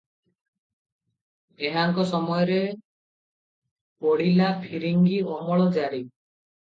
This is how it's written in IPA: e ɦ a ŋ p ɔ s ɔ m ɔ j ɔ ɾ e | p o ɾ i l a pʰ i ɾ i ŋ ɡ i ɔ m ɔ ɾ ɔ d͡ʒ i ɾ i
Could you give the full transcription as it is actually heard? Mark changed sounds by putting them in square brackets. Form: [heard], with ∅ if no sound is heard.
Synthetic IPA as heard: e ɦ a ŋ [k] ɔ s ɔ m ɔ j ɔ ɾ e | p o [ɽ] i l a pʰ i ɾ i ŋ ɡ i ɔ m ɔ [ɭ] ɔ d͡ʒ [a] ɾ i